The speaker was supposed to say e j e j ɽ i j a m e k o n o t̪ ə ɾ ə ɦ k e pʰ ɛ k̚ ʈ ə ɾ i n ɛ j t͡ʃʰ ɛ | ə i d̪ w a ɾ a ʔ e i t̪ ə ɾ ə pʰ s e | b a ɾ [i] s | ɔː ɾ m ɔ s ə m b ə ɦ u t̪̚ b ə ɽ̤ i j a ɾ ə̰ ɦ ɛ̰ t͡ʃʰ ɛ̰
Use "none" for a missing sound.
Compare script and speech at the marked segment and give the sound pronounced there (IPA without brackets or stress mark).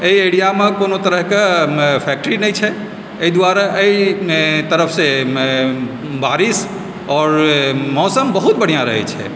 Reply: i